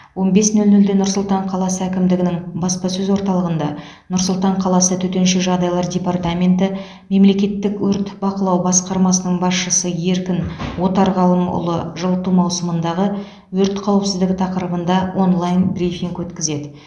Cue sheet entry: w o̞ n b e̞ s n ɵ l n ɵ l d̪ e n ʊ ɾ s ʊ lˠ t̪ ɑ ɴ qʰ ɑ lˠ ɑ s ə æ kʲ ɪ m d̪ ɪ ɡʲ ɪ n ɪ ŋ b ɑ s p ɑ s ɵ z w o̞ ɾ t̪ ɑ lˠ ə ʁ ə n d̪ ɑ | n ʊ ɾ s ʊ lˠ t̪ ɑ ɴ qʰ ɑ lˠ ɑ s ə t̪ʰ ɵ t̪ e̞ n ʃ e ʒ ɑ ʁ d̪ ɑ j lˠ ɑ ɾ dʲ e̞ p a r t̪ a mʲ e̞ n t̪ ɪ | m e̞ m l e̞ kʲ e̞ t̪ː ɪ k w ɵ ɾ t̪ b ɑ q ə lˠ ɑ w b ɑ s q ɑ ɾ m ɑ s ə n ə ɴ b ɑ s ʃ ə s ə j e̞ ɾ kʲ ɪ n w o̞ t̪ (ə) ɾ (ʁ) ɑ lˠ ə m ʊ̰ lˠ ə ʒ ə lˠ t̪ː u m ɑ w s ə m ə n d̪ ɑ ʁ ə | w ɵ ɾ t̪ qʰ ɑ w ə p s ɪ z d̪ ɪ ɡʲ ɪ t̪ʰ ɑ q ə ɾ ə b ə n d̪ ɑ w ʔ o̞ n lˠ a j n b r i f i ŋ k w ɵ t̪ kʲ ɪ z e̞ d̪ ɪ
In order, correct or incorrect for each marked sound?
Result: incorrect: ɑ, correct

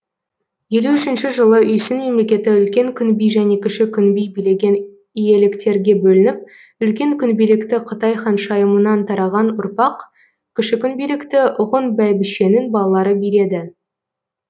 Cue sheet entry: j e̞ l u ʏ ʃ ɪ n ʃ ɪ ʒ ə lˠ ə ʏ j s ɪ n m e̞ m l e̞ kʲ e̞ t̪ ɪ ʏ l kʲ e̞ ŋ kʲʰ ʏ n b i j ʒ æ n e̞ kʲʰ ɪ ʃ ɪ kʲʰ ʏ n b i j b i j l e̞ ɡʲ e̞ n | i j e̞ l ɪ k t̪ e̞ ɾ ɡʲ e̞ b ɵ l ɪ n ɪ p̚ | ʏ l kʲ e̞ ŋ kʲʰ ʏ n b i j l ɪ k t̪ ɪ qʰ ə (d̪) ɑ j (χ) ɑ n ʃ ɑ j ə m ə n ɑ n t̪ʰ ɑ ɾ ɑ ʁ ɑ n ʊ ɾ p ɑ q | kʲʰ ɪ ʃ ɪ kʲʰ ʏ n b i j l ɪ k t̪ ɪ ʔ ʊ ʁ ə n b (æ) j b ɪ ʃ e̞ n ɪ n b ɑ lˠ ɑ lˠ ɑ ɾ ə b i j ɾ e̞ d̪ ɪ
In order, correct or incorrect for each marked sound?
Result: incorrect: t̪, correct, correct

